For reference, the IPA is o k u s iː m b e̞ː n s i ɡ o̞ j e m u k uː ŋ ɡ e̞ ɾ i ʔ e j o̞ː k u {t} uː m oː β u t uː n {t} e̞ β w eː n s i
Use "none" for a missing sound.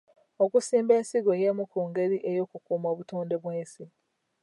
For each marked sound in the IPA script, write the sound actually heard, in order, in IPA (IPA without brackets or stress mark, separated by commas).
k, d